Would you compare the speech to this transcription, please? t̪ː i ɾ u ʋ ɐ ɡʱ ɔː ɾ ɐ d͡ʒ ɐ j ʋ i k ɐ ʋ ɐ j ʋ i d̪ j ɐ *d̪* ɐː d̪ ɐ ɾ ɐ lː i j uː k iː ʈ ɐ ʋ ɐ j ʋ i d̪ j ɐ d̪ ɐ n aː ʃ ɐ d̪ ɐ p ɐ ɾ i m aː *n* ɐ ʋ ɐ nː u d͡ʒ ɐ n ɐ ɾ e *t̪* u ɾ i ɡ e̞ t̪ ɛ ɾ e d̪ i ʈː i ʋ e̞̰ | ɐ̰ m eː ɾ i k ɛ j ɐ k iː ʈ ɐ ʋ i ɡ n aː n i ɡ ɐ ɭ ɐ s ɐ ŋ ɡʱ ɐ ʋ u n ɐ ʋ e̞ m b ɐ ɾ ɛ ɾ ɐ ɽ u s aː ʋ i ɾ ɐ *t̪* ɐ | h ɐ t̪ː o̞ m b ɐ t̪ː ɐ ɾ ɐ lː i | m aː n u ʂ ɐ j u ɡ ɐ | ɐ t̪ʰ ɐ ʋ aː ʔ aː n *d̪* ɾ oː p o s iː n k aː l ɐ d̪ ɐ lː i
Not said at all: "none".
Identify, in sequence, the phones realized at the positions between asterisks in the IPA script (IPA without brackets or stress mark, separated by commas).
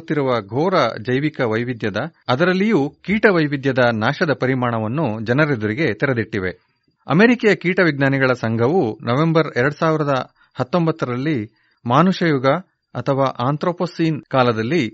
d̪, ɳ, d̪, d̪, t̪